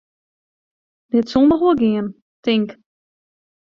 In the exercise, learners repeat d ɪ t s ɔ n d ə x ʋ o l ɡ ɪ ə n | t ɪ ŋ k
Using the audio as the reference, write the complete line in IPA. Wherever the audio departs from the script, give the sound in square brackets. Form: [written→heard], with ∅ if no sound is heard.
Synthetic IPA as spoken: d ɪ t s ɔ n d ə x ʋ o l ɡ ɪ ə n | t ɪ ŋ k